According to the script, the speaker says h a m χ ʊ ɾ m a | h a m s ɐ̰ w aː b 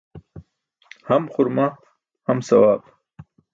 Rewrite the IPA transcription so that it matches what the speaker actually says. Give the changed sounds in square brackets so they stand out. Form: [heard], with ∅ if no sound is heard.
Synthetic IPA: h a m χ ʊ ɾ m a | h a m s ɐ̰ w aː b